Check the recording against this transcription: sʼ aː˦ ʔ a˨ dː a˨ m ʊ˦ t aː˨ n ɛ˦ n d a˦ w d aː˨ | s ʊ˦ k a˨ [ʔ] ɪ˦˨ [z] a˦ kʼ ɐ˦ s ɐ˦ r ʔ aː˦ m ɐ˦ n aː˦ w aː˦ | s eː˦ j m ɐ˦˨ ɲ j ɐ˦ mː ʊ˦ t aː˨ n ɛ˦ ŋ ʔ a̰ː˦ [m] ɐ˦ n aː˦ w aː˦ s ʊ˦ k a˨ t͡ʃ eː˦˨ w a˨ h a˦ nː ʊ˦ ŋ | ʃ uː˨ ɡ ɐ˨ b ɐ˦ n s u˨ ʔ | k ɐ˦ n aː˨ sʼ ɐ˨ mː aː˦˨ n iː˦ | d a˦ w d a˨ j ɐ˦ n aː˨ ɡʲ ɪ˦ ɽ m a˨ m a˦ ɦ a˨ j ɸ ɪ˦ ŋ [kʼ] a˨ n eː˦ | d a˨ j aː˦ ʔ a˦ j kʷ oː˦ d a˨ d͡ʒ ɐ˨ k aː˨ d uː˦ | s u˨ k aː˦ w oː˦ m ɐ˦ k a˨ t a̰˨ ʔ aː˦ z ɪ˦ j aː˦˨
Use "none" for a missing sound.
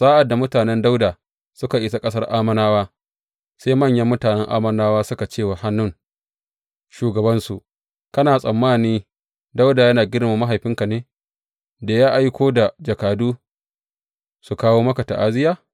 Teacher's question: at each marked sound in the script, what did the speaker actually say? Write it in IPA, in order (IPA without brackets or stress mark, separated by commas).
ʔ, s, m, k